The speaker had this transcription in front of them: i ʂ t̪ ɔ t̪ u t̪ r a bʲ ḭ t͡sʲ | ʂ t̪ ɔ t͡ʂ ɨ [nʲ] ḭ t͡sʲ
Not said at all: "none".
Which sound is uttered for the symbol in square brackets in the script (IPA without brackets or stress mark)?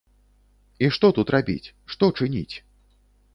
nʲ